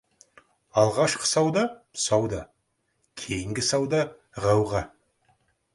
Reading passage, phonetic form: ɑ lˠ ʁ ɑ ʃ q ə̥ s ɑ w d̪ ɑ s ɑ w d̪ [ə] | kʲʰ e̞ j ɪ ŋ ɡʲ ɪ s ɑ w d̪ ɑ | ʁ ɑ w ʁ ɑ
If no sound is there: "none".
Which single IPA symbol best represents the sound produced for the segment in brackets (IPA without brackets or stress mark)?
ɑ